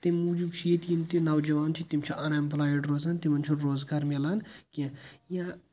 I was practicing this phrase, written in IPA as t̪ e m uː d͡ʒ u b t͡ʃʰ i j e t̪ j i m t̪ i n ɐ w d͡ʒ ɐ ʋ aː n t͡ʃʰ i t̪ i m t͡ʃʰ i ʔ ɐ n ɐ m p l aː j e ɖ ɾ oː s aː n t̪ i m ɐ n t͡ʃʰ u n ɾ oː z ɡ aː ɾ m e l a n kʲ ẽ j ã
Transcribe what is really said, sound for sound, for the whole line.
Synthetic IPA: t̪ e m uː d͡ʒ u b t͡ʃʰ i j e t̪ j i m t̪ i n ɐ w d͡ʒ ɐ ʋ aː n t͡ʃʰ i t̪ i m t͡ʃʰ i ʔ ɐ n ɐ m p l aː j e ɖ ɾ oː z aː n t̪ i m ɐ n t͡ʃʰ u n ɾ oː z ɡ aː ɾ m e l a n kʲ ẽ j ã